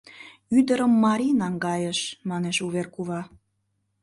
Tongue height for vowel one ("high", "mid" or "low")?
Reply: high